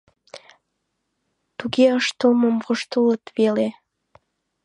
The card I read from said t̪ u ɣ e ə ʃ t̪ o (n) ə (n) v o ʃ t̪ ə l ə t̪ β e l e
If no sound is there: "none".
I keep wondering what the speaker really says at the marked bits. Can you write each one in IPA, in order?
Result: m, m

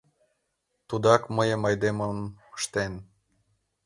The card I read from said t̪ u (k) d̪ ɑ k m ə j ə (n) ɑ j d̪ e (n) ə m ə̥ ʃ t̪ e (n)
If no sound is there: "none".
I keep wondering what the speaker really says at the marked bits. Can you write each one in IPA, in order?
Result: none, m, m, n

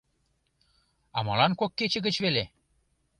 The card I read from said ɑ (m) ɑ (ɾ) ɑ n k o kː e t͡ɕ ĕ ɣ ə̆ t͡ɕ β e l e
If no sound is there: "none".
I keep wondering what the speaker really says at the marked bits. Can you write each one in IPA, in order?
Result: m, l

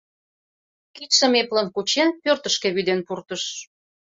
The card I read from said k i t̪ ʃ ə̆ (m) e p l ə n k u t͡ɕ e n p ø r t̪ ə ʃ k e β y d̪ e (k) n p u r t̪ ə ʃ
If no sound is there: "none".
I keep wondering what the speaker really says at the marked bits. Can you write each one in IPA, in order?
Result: m, none

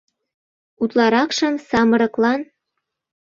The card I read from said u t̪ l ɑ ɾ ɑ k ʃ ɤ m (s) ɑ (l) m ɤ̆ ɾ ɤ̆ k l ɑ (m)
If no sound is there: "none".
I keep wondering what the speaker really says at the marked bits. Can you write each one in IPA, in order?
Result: s, none, n

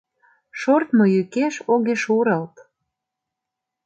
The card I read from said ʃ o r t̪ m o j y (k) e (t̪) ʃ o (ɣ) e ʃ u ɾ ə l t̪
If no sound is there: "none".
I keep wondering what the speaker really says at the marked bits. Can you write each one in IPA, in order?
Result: k, none, ɣ

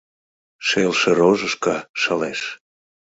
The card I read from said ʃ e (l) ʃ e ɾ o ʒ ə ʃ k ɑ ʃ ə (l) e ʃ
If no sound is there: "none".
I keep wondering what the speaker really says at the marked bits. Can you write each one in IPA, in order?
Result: l, l

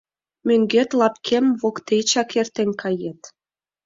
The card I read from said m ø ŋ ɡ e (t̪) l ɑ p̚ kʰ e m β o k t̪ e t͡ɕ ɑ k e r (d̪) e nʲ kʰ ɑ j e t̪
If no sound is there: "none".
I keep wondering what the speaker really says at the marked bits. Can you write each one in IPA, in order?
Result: t̪, t̪

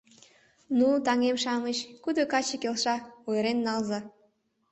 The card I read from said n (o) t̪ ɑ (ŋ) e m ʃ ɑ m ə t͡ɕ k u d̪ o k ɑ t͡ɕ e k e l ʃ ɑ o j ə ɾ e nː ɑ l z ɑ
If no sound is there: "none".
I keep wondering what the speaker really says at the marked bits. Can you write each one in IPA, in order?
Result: u, ŋ

